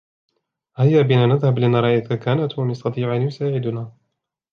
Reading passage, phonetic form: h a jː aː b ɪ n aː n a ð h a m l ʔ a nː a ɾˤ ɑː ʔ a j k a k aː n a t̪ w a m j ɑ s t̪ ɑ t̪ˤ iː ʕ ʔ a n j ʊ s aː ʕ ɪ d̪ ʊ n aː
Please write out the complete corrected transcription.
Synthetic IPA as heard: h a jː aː b ɪ n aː n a ð h a b l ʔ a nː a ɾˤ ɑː ʔ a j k a k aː n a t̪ w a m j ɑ s t̪ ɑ t̪ˤ iː ʕ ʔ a n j ʊ s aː ʕ ɪ d̪ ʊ n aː